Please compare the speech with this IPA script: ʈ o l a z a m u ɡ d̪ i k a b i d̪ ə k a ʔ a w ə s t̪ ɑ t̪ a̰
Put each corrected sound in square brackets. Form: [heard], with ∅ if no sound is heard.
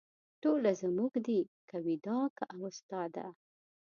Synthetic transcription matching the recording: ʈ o l a z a m u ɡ d̪ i k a [w] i d̪ [ɑ] k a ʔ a w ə s t̪ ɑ [d̪] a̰